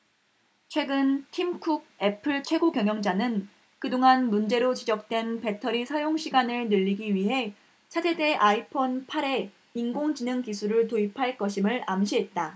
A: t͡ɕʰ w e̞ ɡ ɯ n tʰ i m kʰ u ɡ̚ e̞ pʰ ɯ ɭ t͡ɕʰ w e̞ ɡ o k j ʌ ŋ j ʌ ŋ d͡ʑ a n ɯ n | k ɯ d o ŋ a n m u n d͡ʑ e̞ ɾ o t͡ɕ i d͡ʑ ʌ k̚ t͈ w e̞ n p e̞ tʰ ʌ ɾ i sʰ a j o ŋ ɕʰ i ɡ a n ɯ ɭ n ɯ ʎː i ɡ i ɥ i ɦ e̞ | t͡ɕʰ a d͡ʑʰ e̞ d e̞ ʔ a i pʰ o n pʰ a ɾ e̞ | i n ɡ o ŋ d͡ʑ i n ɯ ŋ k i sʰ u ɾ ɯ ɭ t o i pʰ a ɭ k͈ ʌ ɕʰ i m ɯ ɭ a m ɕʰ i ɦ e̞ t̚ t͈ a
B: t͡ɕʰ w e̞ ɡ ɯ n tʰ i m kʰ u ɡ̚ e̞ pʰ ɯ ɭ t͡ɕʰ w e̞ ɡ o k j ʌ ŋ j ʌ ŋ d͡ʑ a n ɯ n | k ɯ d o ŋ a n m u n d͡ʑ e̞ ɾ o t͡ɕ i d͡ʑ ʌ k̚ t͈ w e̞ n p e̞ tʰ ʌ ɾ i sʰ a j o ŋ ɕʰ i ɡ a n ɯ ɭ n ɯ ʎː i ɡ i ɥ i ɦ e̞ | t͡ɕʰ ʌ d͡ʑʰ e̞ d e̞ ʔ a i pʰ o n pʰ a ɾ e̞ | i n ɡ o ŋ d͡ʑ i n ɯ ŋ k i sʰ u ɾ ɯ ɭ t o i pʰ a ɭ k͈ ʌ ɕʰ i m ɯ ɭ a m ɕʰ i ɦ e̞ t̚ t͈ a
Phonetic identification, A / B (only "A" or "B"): A